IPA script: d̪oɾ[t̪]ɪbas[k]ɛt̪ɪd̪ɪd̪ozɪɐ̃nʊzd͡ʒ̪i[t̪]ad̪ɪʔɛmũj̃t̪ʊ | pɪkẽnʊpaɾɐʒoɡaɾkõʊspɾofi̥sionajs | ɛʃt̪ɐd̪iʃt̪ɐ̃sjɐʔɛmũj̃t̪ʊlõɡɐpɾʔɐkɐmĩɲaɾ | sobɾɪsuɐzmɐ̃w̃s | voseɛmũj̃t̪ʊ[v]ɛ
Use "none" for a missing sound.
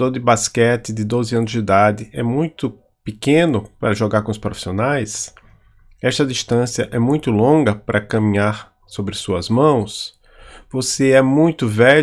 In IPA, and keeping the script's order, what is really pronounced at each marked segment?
d̪, k, d̪, v

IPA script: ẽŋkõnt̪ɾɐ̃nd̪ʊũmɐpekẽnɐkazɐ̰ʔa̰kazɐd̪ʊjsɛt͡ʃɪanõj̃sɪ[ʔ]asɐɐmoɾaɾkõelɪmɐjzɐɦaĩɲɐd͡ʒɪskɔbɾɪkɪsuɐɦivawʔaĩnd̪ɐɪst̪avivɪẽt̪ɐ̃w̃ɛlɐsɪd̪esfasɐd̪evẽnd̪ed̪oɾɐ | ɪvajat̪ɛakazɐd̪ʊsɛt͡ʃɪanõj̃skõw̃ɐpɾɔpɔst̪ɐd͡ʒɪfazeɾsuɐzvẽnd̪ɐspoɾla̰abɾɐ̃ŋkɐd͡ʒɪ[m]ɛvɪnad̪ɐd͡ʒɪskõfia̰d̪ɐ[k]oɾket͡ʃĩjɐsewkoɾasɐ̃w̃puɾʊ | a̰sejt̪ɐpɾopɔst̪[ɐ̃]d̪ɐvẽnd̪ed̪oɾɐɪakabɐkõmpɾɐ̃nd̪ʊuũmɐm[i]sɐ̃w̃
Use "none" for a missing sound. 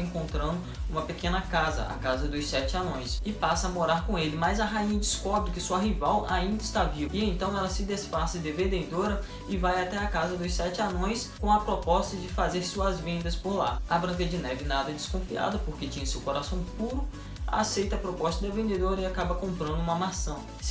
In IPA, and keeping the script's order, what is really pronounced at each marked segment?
p, n, p, ɐ, a

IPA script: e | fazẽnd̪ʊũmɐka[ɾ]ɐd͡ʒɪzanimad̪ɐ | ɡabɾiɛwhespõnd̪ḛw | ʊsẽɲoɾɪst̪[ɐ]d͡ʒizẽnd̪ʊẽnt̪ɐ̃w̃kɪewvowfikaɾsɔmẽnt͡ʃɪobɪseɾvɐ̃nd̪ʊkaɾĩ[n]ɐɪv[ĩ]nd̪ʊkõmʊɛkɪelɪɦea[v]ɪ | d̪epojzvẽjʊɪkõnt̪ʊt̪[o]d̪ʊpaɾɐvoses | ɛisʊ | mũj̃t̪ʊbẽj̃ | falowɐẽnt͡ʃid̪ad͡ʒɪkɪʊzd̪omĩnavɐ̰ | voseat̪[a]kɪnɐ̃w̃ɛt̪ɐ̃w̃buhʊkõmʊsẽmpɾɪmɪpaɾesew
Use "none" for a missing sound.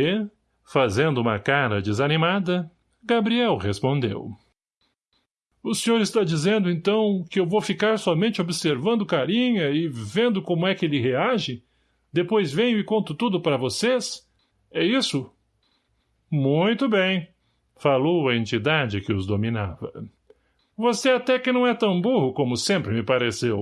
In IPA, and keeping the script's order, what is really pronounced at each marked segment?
ɾ, a, ɲ, ẽ, ʒ, u, ɛ

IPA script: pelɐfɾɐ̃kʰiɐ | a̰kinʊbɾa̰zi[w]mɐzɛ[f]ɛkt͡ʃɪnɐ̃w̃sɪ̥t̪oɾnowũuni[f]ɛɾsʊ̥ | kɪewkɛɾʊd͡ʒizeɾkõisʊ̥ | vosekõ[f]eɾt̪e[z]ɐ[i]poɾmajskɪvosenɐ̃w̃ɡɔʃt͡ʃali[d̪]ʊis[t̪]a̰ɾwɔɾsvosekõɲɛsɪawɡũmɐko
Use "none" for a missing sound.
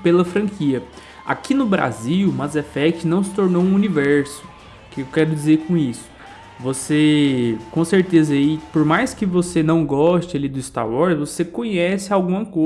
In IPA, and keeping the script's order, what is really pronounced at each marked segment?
w, f, v, s, z, i, d̪, t̪

